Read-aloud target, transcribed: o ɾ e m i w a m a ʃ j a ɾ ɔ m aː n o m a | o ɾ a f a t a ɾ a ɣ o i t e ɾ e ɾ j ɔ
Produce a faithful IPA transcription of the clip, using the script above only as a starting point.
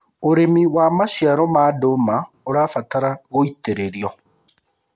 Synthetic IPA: o ɾ e m i w a m a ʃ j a ɾ ɔ m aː d o m a | o ɾ a f a t a ɾ a ɣ o i t e ɾ e ɾ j ɔ